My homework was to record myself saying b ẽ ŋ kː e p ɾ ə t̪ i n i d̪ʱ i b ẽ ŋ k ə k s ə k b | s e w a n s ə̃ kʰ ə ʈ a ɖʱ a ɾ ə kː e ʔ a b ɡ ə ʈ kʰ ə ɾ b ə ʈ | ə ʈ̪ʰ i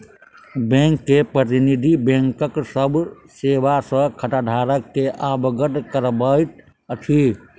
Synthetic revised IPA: b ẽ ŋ kː e p ɾ ə t̪ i n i d̪ʱ i b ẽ ŋ k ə k s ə b | s e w a s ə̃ kʰ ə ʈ a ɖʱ a ɾ ə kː e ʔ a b ɡ ə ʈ k ə ɾ b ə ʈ | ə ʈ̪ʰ i